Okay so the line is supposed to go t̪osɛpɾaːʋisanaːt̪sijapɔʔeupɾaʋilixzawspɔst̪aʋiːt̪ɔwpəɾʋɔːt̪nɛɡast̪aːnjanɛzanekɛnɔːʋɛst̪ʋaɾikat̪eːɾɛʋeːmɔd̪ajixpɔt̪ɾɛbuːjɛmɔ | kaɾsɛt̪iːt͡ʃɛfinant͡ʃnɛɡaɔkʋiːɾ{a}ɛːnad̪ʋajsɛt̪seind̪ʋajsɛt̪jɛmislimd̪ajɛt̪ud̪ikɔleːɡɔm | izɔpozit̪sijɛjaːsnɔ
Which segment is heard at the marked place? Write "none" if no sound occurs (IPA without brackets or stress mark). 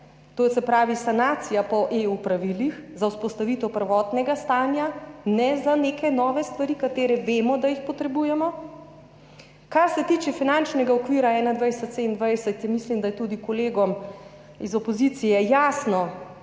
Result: a